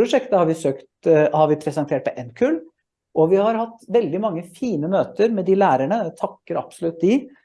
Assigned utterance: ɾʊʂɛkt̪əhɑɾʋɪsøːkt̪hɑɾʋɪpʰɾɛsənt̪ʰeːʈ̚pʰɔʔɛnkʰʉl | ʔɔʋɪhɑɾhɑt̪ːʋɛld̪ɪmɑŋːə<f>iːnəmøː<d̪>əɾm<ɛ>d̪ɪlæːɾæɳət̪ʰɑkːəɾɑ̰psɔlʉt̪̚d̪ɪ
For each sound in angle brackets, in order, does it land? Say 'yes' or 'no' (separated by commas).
yes, no, yes